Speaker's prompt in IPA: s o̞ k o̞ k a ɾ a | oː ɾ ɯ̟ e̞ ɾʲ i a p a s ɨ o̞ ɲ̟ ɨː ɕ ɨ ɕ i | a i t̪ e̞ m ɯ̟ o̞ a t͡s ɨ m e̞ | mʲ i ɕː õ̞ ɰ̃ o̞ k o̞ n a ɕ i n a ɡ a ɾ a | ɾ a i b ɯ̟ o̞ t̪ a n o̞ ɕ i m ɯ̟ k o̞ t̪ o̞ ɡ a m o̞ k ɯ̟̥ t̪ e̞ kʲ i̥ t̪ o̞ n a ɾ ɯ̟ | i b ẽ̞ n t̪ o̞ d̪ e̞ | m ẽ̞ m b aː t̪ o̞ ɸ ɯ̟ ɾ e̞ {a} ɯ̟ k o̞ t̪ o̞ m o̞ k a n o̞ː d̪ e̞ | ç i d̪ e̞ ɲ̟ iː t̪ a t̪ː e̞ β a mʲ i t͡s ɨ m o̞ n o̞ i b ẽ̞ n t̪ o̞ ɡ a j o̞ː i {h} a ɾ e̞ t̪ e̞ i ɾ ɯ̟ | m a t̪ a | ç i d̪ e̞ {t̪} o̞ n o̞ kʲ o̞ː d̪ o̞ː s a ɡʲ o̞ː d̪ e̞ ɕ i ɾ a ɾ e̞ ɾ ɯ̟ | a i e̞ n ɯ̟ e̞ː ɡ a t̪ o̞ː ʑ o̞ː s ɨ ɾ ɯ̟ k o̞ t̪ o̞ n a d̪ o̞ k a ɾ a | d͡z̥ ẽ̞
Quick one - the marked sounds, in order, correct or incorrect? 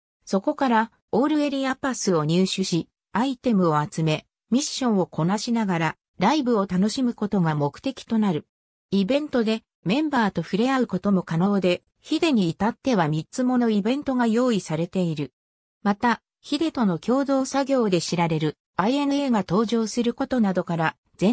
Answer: correct, incorrect: s, correct

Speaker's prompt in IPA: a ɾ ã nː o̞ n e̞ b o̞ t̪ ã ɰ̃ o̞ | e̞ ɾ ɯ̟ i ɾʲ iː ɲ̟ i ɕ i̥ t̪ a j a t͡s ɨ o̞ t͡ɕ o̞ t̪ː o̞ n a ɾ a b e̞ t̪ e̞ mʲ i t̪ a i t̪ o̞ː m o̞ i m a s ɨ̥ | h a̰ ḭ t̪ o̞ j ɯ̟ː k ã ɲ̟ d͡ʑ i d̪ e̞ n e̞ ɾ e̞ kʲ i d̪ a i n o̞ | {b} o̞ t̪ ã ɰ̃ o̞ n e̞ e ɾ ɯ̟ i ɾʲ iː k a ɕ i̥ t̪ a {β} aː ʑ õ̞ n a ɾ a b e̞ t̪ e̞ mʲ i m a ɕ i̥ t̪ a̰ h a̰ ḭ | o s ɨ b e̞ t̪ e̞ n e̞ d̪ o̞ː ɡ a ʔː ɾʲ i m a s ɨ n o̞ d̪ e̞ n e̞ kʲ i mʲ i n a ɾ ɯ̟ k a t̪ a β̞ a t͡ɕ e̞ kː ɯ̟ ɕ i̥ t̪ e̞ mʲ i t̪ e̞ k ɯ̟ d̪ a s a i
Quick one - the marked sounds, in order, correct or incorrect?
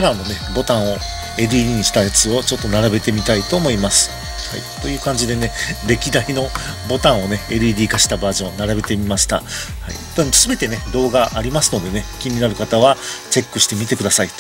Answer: correct, incorrect: b

